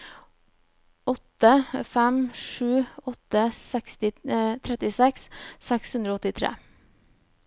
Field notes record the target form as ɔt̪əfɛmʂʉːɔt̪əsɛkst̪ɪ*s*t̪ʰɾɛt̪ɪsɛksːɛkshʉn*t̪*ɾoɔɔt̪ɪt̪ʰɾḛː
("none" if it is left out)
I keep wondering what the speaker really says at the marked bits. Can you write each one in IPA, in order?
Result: none, d̪

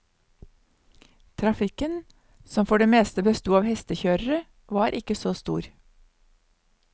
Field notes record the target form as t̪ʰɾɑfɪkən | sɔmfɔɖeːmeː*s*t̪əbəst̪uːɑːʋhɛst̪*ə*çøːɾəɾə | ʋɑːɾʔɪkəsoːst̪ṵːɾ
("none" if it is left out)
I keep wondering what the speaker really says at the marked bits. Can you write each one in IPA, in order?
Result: s, ə

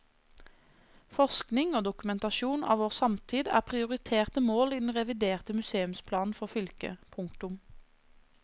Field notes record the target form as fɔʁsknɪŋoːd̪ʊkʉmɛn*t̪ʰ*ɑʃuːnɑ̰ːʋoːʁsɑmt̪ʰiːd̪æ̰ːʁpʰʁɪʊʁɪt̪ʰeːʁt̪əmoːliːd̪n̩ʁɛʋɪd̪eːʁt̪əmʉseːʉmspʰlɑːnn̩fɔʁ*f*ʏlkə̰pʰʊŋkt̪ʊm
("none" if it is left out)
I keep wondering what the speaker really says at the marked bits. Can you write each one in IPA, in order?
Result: t̪, f

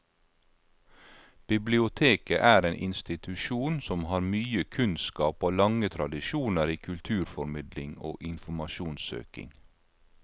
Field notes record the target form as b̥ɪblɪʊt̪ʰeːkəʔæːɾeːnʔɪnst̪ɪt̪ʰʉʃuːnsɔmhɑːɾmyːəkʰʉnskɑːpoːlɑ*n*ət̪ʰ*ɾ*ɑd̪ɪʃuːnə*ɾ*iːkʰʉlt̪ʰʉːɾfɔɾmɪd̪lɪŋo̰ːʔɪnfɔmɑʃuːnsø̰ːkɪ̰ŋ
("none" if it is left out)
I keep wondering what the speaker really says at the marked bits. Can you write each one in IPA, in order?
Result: ŋ, ɾ, ɾ

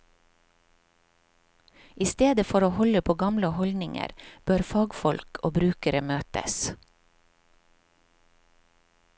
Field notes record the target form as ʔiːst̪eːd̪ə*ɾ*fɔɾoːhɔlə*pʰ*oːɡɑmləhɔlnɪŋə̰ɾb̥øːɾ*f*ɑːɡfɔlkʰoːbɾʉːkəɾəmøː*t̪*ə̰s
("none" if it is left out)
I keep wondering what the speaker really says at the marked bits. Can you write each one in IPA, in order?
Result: none, pʰ, f, t̪

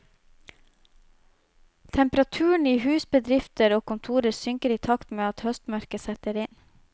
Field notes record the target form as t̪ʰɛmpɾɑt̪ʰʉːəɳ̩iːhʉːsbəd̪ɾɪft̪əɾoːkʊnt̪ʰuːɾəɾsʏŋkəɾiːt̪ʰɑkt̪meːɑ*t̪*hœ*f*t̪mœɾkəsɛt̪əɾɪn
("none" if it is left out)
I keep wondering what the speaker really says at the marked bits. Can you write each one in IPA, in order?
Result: t̪, s

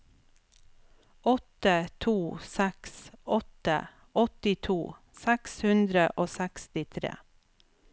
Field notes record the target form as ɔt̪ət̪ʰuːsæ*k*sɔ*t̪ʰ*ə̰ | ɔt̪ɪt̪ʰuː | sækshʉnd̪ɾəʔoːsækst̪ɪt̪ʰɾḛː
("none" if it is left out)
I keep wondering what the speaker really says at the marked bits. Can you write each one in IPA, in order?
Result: k, t̪

